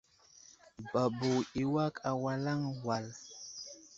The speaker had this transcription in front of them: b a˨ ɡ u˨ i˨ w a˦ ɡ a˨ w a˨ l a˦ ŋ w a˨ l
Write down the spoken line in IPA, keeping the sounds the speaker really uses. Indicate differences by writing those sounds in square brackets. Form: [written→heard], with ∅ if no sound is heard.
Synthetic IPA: b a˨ [ɡ→b] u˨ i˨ w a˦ [ɡ→k] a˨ w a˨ l a˦ ŋ w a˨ l